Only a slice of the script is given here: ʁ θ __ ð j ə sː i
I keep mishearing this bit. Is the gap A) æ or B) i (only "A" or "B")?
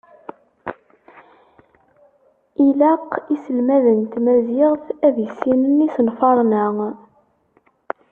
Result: A